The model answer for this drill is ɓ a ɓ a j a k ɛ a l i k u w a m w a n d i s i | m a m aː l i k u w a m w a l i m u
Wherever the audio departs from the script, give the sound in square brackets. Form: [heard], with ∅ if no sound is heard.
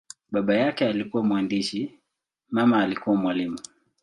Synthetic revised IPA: ɓ a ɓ a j a k ɛ a l i k u w a m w a n d i [ʃ] i | m a m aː l i k u w a m w a l i m u